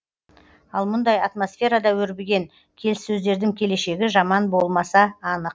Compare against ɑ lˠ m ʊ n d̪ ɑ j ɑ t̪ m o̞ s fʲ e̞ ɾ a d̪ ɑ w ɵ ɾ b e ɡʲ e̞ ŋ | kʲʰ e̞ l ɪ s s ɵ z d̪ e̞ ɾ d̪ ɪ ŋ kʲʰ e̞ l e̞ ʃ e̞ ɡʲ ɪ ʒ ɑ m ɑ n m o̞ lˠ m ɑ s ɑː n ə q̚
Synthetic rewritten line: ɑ lˠ m ʊ n d̪ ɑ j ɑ t̪ m o̞ s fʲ e̞ ɾ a d̪ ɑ w ɵ ɾ b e ɡʲ e̞ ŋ | kʲʰ e̞ l ɪ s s ɵ z d̪ e̞ ɾ d̪ ɪ ŋ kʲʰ e̞ l e̞ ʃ e̞ ɡʲ ɪ ʒ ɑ m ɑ n b o̞ lˠ m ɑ s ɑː n ə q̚